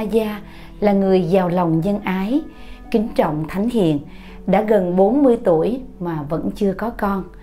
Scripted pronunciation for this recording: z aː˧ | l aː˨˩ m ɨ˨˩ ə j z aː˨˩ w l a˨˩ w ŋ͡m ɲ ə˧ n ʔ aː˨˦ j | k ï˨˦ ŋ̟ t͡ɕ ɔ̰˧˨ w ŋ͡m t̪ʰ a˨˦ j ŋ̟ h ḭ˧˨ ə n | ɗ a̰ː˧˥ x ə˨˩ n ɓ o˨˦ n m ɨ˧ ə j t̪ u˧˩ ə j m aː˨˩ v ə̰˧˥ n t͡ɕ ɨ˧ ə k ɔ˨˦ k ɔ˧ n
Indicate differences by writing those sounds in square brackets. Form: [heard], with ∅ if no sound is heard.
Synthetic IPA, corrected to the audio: z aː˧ | l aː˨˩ [ŋ] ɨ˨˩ ə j z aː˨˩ w l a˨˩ w ŋ͡m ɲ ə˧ n ʔ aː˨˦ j | k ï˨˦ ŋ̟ t͡ɕ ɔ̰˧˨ w ŋ͡m t̪ʰ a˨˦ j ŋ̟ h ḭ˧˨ ə n | ɗ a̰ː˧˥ [ɣ] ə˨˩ n ɓ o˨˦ n m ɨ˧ ə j t̪ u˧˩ ə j m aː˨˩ v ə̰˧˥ n t͡ɕ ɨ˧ ə k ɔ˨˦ k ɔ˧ n